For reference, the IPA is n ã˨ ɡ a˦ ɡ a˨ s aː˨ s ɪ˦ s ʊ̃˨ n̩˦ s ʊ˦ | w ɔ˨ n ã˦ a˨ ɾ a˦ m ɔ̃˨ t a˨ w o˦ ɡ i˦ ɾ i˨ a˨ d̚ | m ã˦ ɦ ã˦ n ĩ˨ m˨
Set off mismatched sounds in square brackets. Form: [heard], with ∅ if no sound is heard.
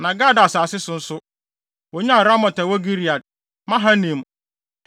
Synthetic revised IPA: n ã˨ ɡ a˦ [d] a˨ s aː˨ s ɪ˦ s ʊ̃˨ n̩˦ s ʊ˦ | w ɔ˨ [ɲ] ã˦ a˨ ɾ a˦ m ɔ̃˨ t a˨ w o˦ ɡ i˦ ɾ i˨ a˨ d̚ | m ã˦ ɦ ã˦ n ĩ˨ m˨

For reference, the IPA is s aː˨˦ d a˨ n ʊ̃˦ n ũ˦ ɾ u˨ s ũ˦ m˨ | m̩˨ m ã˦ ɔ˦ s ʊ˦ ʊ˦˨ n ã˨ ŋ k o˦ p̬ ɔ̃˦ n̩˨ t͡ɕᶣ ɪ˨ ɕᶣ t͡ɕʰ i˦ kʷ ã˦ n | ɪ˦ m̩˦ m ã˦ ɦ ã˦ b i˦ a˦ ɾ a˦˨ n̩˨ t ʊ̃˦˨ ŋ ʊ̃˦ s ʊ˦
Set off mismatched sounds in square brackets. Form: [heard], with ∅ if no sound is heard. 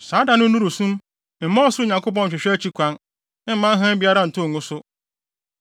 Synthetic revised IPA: s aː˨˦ d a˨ n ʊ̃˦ n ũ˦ ɾ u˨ s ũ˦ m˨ | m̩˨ m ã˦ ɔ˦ s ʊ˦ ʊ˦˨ [ɲ] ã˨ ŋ k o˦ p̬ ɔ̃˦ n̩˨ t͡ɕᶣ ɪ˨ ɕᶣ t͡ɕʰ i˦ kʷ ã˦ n | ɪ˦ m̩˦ m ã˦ ɦ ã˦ b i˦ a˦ ɾ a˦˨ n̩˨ t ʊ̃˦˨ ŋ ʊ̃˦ s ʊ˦

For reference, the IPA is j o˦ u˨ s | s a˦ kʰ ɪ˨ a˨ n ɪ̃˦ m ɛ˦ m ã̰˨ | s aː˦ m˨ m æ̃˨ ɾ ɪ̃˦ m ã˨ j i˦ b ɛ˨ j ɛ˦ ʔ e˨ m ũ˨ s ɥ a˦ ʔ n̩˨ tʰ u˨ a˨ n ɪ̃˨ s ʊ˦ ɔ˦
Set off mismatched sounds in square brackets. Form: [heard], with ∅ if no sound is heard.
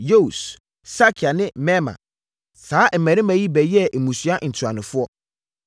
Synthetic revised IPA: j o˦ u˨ s | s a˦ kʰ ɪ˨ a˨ n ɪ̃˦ m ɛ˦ m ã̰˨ | s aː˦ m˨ m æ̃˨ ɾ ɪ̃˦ m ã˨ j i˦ b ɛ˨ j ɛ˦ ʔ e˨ m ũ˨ s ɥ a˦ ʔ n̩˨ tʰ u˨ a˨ n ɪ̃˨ [f] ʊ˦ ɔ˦

